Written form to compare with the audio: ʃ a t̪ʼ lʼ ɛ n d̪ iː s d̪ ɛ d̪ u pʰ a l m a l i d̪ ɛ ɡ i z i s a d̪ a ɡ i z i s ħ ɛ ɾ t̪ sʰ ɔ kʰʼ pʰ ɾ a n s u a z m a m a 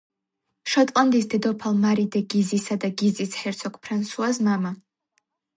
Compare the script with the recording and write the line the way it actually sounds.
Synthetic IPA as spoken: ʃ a t̪ʼ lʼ a n d̪ i s d̪ ɛ d̪ ɔ pʰ a l m a ɾ i d̪ ɛ ɡ i z i s a d̪ a ɡ i z i s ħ ɛ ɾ t̪ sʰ ɔ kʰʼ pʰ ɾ a n s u a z m a m a